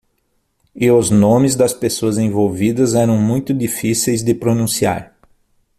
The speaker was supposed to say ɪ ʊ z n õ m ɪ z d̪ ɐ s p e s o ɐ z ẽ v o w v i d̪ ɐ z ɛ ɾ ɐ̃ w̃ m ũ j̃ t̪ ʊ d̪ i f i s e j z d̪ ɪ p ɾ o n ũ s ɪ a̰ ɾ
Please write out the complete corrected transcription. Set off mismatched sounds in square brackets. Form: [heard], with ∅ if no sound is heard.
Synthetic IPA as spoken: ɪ ʊ z n õ m ɪ z d̪ ɐ s p e s o ɐ z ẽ v o w v i d̪ ɐ z ɛ ɾ ɐ̃ w̃ m ũ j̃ t̪ ʊ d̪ i f i s e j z d̪ ɪ p ɾ o n ũ s [i] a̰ ɾ